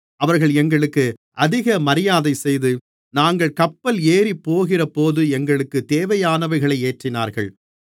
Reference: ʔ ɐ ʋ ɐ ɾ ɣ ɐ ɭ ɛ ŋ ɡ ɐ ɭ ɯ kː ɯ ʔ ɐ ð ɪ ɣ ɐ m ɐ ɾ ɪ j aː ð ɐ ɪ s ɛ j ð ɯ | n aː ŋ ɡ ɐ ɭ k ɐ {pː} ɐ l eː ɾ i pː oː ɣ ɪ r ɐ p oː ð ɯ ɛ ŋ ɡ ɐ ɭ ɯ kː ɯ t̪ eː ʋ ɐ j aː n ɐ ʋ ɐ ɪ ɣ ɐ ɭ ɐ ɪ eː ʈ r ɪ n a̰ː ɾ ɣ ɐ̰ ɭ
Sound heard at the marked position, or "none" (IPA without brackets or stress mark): pː